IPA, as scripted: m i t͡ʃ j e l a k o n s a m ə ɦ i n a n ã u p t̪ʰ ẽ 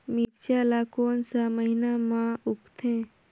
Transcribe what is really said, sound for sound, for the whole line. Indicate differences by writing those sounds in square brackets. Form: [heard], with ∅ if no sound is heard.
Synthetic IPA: m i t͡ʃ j [a] l a k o n s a m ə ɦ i n a [m] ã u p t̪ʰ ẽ